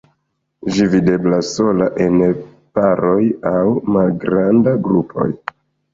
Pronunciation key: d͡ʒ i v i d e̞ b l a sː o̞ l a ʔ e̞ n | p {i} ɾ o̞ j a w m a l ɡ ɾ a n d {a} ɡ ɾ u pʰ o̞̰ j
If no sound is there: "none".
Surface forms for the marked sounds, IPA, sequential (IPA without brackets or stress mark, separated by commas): a, a